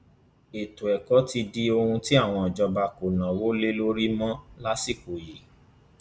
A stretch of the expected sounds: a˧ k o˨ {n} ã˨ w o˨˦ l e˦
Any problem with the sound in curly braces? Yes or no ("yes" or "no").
no